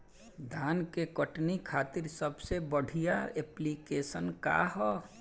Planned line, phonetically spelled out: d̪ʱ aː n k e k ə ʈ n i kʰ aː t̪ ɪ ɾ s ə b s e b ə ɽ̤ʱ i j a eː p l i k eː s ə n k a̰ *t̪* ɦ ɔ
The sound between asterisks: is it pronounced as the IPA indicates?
no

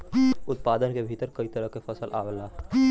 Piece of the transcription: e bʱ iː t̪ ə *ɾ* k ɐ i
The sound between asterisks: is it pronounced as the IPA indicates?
yes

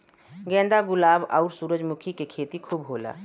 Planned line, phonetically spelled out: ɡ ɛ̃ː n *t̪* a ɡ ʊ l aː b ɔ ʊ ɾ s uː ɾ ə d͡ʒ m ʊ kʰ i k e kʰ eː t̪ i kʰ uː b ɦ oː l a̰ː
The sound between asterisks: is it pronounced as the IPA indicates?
no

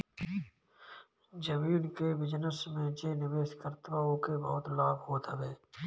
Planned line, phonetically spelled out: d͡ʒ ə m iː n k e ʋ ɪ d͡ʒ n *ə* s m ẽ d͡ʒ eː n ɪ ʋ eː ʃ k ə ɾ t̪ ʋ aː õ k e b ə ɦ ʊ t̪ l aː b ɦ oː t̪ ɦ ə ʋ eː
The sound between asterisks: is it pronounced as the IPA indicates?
yes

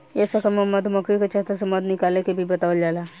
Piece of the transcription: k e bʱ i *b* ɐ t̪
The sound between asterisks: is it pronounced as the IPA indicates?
yes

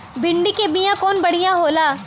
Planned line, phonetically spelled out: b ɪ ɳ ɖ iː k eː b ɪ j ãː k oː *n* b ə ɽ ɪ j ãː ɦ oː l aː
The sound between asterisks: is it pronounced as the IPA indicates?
yes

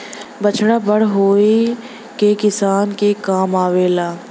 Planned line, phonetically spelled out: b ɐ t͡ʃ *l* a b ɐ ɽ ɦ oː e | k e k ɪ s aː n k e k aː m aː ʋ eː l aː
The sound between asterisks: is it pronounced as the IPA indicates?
no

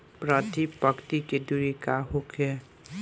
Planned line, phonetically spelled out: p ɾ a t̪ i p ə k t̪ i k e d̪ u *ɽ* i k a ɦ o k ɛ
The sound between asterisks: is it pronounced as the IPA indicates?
no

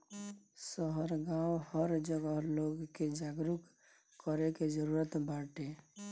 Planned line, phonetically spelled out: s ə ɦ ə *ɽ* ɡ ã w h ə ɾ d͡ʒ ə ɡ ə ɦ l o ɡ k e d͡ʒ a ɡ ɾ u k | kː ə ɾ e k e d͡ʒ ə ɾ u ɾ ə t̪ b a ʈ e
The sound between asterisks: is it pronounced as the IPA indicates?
no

